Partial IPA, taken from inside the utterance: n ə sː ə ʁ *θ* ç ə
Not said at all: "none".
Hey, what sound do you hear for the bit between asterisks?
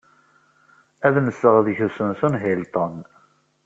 ð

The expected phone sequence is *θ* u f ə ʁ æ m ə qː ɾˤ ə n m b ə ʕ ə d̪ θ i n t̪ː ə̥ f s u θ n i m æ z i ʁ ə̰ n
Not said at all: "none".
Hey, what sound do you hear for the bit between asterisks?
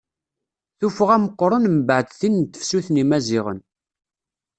θ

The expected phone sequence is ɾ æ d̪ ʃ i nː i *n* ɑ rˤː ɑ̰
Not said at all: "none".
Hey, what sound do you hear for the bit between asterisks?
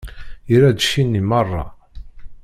m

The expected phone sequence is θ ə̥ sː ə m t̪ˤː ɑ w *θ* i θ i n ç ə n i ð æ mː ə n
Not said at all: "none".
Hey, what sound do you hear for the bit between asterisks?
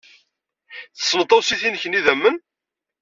s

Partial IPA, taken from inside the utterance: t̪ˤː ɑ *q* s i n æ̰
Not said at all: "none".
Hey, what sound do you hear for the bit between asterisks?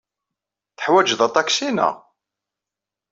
k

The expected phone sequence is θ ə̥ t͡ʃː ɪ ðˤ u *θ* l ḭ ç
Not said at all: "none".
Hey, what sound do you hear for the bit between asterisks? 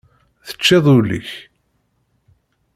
none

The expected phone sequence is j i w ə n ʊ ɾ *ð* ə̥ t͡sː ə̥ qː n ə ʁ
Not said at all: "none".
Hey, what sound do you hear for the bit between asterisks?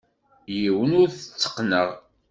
θ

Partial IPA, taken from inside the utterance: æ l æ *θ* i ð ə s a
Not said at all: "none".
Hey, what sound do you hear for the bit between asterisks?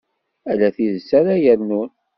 θ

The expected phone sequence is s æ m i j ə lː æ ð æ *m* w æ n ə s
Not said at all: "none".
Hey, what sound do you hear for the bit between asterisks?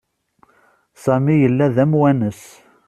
m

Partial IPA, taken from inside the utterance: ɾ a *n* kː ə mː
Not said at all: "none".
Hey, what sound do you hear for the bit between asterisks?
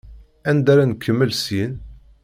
n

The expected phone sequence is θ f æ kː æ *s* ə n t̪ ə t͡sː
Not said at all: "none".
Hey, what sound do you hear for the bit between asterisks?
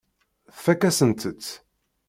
s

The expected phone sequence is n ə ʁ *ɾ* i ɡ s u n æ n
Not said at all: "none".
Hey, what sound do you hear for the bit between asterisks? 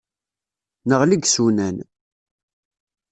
l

